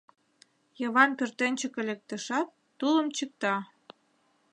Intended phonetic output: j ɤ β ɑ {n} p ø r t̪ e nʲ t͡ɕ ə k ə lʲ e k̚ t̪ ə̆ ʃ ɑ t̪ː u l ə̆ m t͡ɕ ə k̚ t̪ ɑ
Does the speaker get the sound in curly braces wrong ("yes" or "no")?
no